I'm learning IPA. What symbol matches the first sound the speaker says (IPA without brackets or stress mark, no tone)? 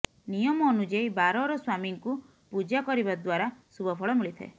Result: n